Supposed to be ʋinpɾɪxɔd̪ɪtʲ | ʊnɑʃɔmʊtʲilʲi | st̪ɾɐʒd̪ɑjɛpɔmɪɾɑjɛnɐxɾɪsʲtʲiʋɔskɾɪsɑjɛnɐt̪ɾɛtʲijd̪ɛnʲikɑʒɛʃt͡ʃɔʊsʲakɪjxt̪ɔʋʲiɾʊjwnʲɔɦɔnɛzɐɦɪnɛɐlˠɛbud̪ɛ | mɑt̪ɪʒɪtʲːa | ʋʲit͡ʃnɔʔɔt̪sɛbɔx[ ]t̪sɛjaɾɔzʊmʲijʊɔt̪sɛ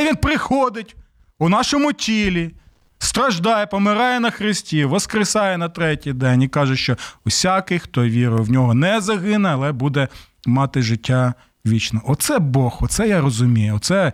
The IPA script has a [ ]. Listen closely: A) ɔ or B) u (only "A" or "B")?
A